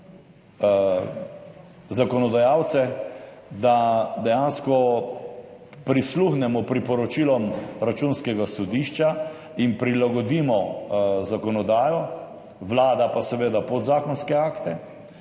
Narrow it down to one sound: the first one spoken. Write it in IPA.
z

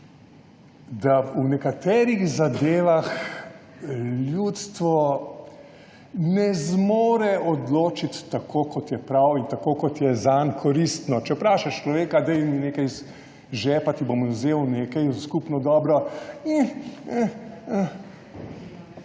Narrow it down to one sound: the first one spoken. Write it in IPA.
d̪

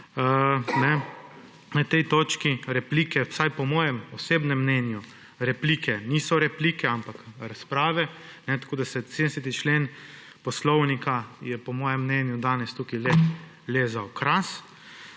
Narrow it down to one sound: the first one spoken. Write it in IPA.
n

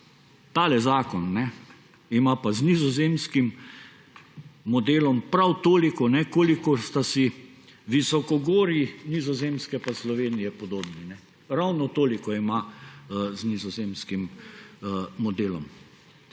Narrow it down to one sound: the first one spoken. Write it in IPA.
t̪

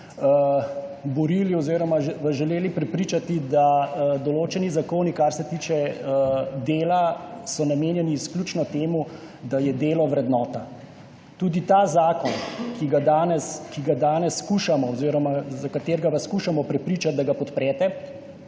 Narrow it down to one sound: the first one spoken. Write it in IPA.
b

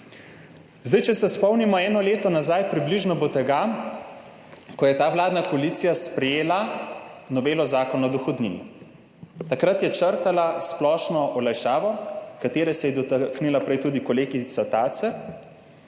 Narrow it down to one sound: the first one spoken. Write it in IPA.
z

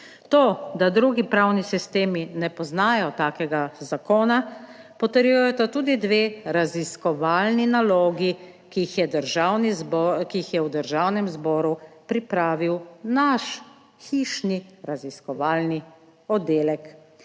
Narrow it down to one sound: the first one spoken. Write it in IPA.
t̪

